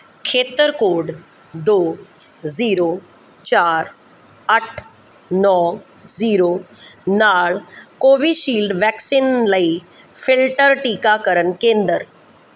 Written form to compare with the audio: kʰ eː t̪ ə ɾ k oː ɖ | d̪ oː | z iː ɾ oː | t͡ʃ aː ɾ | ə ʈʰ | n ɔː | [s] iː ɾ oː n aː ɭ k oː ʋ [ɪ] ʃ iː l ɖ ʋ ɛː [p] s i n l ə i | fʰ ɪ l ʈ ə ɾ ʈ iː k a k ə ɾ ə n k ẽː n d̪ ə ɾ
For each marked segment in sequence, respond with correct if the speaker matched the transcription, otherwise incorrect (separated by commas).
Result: incorrect, incorrect, incorrect